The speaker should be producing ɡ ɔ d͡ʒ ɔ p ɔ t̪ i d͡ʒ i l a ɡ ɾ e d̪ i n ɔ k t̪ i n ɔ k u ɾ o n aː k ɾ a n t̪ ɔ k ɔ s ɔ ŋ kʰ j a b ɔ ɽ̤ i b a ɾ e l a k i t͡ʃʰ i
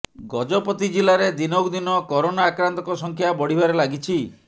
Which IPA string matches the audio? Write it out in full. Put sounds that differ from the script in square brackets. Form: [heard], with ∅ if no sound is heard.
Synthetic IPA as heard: ɡ ɔ d͡ʒ ɔ p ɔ t̪ i d͡ʒ i l a [∅] ɾ e d̪ i n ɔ k [d̪] i n ɔ k [ɔ] ɾ o n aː k ɾ a n t̪ ɔ k ɔ s ɔ ŋ kʰ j a b ɔ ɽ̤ i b a ɾ e l a [ɡ] i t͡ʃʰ i